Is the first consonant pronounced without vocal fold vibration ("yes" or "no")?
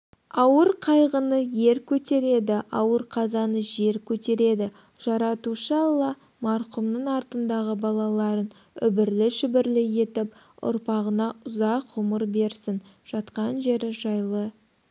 no